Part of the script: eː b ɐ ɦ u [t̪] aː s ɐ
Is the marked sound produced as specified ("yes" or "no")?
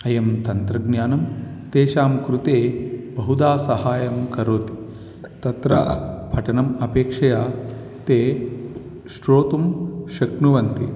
no